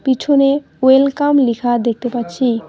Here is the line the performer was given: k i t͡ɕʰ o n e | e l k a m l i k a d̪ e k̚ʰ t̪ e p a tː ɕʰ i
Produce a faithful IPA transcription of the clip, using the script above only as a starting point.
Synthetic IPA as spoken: p i t͡ɕʰ o n e | e l k a m l i kʰ a d̪ e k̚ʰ t̪ e p a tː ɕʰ i